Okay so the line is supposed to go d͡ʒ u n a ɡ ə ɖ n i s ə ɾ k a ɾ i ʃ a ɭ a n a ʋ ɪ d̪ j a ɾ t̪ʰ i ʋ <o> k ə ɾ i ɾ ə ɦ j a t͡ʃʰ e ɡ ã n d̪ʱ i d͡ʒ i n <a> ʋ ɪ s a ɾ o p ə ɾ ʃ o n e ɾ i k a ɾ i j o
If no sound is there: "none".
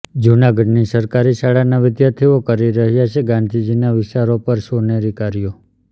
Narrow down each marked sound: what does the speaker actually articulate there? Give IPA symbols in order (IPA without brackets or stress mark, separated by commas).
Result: o, a